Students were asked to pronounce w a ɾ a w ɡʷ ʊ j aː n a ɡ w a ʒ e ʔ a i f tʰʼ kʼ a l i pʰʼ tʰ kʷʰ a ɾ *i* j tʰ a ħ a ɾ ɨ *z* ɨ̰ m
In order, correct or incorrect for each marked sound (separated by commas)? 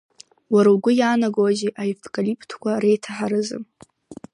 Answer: incorrect, correct